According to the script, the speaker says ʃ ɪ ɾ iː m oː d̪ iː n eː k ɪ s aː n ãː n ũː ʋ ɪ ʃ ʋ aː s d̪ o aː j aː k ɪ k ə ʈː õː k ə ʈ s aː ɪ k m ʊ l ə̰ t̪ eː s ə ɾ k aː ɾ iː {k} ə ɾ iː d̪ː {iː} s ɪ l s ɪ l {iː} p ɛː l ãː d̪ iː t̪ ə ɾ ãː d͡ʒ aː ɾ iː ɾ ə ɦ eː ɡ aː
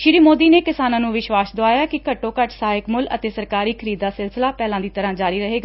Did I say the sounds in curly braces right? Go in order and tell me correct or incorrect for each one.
incorrect, incorrect, incorrect

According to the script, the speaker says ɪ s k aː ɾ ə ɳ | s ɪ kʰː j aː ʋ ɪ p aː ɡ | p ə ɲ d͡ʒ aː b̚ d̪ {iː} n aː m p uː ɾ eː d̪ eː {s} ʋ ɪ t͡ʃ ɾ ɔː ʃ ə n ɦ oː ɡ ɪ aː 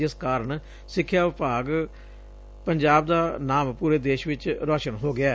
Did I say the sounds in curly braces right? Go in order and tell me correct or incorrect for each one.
incorrect, incorrect

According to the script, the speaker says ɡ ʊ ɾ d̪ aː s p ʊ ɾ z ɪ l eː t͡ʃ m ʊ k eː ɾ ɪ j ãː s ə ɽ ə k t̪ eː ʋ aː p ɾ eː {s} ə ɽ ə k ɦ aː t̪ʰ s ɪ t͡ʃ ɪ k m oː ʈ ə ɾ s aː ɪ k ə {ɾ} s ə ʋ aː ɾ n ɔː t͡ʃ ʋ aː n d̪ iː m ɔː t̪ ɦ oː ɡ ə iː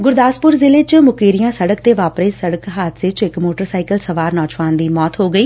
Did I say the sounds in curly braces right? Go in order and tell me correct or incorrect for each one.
correct, incorrect

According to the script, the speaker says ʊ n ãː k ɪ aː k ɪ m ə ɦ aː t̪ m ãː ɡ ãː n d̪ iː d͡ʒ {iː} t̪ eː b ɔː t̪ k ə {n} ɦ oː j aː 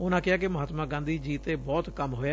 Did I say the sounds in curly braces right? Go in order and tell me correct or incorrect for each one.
correct, incorrect

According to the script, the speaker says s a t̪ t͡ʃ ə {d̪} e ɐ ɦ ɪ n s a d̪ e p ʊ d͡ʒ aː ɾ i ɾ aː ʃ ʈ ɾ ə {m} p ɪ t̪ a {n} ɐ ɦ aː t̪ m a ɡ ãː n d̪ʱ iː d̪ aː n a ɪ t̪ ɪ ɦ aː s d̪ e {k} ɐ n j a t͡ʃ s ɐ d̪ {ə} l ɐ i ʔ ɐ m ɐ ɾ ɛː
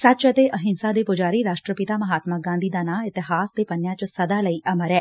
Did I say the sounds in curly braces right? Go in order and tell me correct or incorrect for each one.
incorrect, incorrect, incorrect, incorrect, incorrect

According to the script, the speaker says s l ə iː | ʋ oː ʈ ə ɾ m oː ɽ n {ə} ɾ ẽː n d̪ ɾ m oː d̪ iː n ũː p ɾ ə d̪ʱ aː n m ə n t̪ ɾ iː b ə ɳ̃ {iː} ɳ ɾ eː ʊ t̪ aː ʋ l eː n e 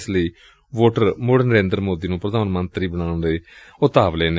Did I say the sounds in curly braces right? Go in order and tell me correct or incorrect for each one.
correct, incorrect

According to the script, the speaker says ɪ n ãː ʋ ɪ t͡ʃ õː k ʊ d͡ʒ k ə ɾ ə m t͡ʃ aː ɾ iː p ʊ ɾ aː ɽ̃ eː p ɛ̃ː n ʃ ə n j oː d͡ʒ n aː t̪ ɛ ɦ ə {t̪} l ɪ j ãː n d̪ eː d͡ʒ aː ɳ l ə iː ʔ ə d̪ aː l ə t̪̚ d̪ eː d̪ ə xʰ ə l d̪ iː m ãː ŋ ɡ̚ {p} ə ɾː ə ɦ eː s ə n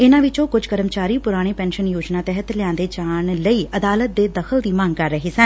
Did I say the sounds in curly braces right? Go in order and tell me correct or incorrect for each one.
correct, incorrect

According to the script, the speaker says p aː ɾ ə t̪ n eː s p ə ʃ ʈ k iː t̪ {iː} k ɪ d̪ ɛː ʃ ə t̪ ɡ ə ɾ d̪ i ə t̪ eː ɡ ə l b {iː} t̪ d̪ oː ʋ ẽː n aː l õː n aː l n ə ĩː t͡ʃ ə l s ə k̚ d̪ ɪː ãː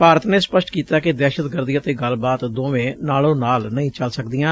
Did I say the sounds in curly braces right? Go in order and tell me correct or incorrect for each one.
incorrect, incorrect

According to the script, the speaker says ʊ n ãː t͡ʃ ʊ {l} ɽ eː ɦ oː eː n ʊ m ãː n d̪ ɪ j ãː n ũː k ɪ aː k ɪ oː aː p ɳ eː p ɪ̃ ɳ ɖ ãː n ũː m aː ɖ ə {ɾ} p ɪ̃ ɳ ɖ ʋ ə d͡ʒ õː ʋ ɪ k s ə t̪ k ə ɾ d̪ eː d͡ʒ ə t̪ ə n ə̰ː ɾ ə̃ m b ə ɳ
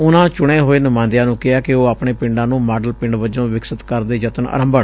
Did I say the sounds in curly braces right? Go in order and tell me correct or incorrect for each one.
incorrect, incorrect

